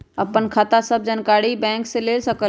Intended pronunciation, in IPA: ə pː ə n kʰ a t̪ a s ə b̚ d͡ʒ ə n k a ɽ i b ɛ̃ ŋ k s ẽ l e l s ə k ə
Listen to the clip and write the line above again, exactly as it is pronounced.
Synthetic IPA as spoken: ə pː ə n kʰ a t̪ a s ə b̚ d͡ʒ ə n k a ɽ i b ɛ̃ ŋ k s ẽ l e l s ə k ə